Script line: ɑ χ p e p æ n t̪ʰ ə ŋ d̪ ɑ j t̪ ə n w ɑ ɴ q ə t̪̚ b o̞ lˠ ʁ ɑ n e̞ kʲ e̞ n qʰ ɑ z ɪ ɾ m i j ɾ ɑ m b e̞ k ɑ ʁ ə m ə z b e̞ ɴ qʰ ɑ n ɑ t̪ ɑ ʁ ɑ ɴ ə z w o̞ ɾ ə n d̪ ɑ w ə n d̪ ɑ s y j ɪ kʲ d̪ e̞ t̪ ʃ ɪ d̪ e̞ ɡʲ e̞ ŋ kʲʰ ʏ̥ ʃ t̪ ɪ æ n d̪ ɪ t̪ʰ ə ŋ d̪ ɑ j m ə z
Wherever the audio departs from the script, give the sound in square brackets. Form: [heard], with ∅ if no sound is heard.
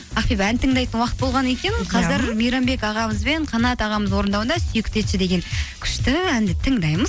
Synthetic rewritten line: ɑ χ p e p æ n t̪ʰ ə ŋ d̪ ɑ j t̪ ə n w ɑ [∅] q ə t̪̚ b o̞ lˠ ʁ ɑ n e̞ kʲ e̞ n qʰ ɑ z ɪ ɾ m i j ɾ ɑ m b e̞ k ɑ ʁ [ɑ] m ə z b e̞ ɴ qʰ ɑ n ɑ t̪ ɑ ʁ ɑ [m] ə z w o̞ ɾ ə n d̪ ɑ w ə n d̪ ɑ s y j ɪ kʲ [t̪] e̞ t̪ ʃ ɪ d̪ e̞ ɡʲ e̞ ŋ kʲʰ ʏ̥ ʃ t̪ ɪ æ n d̪ ɪ t̪ʰ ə ŋ d̪ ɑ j m ə z